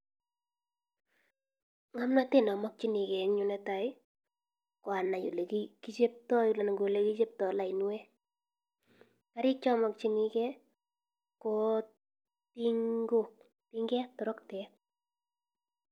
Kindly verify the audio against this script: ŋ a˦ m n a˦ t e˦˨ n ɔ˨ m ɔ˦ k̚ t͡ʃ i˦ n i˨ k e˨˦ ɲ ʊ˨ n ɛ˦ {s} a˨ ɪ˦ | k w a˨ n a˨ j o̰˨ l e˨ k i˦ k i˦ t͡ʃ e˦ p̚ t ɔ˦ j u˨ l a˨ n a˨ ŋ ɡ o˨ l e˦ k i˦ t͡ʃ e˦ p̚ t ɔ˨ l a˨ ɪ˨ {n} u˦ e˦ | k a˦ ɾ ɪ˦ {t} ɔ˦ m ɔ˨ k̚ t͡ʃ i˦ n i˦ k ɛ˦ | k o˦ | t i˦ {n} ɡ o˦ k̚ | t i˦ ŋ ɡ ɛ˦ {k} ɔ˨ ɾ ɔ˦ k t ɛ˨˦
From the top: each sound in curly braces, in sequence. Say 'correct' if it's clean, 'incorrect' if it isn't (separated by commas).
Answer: incorrect, correct, incorrect, incorrect, incorrect